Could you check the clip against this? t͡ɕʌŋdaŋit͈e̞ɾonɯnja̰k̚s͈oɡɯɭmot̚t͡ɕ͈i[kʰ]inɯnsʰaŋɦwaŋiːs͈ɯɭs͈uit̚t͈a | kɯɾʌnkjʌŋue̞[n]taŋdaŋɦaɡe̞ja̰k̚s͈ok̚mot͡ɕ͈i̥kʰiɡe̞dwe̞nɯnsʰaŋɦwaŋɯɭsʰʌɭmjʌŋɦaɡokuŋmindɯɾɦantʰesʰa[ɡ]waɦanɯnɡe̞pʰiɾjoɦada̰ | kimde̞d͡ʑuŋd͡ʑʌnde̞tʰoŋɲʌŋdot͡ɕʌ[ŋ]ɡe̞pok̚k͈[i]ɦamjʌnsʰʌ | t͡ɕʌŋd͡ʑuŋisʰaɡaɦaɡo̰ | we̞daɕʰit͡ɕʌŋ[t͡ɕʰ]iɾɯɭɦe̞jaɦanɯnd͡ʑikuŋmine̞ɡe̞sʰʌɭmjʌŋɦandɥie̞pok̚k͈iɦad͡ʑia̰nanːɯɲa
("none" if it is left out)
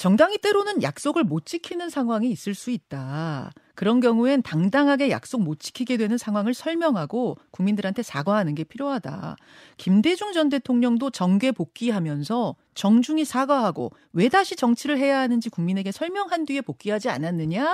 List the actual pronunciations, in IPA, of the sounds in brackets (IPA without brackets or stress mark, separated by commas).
kʰ, n, ɡ, ŋ, i, t͡ɕʰ